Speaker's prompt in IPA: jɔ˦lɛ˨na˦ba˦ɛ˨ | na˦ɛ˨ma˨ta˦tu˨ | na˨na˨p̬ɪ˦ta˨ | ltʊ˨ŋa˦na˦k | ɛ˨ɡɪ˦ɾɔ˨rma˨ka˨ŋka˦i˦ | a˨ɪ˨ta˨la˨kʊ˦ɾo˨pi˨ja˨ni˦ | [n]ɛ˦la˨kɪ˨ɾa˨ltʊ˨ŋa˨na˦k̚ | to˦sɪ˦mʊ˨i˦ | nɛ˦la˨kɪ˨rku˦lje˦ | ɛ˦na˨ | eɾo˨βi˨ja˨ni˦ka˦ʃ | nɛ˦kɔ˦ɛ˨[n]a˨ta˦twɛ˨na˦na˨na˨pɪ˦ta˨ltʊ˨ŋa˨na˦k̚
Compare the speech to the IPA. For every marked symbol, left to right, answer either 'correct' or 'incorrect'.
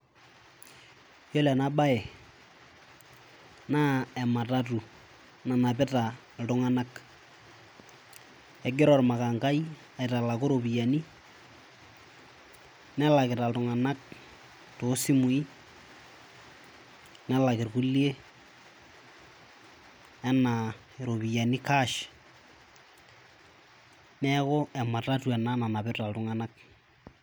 correct, incorrect

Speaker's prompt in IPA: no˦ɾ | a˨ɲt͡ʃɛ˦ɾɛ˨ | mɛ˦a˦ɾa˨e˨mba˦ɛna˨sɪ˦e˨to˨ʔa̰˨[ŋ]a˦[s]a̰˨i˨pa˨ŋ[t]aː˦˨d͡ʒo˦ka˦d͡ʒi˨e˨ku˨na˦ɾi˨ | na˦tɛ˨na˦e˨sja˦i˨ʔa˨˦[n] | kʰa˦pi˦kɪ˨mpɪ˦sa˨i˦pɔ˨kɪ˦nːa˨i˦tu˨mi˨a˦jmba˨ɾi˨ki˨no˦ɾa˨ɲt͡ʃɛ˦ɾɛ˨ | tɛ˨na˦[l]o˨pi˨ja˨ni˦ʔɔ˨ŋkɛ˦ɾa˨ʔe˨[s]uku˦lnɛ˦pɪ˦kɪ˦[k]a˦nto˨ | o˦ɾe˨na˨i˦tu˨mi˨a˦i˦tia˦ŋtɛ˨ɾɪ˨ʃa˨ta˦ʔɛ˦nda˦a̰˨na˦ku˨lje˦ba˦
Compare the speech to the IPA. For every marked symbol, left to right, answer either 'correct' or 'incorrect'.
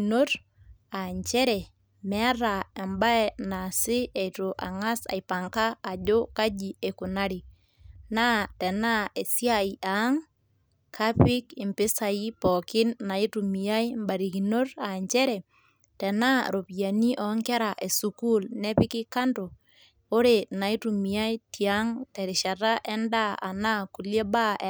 correct, correct, incorrect, incorrect, incorrect, correct, correct

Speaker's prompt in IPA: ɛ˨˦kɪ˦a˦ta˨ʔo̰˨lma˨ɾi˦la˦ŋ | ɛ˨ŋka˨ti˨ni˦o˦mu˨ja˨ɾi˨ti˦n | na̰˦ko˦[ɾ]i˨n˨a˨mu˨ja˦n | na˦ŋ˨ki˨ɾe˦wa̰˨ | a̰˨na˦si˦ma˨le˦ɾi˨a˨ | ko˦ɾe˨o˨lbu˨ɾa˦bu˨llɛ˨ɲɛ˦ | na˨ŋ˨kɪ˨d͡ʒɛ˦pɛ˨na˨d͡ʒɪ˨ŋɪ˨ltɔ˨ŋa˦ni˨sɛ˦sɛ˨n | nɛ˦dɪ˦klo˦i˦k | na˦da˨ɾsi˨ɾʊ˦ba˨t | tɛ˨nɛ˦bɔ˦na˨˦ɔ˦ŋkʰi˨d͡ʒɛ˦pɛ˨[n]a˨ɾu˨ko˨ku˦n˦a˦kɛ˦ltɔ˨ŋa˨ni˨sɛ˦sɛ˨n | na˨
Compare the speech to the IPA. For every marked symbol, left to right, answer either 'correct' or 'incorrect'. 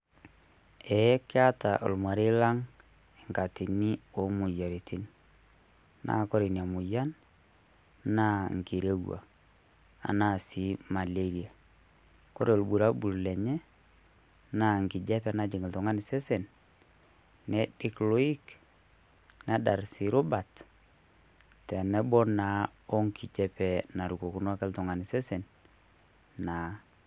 correct, correct

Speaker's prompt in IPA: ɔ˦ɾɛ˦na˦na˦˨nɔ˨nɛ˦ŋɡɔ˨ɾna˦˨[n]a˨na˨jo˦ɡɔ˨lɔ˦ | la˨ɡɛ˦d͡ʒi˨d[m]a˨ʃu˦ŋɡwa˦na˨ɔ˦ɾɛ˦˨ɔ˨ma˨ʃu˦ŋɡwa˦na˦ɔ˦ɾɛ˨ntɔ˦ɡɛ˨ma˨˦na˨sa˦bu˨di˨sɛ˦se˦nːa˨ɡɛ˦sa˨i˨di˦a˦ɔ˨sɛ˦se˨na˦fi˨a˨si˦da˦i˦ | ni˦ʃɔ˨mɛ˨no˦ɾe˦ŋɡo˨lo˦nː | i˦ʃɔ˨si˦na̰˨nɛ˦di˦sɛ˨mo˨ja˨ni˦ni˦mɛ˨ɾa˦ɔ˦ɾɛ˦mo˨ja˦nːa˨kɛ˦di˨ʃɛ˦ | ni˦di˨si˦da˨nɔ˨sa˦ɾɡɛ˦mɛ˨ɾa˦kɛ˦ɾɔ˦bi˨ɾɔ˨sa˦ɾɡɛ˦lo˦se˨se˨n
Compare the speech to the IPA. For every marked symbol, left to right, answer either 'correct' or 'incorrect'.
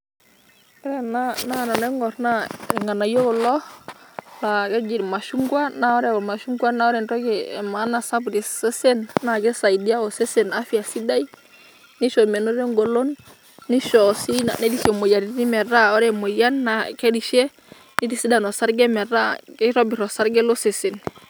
incorrect, correct

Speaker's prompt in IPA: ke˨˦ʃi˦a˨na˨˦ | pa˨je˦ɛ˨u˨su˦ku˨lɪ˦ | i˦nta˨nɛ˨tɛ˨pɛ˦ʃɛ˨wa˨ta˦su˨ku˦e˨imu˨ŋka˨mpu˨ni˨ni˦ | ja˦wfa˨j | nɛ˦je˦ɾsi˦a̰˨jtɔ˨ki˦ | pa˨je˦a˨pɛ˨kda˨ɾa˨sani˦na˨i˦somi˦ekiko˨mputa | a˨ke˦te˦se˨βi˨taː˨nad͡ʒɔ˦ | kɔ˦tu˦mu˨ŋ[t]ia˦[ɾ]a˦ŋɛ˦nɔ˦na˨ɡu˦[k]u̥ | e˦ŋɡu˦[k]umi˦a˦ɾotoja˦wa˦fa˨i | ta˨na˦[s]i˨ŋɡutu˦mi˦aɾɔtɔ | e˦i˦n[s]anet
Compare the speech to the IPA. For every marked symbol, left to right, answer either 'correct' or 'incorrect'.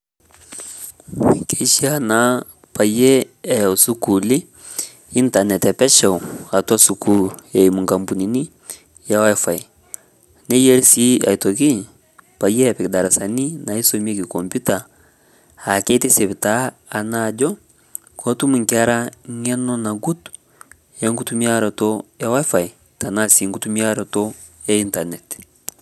incorrect, correct, incorrect, incorrect, correct, incorrect

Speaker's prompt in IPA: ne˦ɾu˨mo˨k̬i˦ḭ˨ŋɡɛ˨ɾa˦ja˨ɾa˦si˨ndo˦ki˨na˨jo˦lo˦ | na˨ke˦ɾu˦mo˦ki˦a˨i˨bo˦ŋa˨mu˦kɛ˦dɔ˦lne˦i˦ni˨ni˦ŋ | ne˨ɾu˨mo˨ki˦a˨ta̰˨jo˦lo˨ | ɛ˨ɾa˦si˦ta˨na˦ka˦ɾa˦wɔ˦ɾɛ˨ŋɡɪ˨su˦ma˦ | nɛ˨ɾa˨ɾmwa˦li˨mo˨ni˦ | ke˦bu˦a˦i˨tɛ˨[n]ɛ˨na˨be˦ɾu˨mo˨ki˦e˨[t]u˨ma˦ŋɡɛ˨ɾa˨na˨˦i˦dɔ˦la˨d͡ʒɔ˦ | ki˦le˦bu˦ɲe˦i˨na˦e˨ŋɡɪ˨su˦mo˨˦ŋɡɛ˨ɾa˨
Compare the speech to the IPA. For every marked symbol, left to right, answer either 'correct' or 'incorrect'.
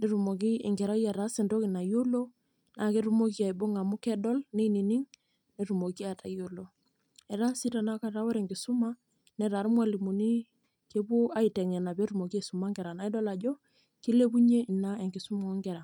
incorrect, incorrect

